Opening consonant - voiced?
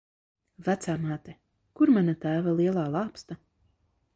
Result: yes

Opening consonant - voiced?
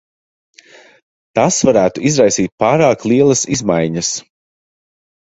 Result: no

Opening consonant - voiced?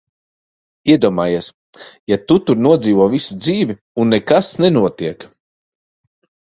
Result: yes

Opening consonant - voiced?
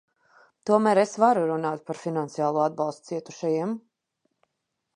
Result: no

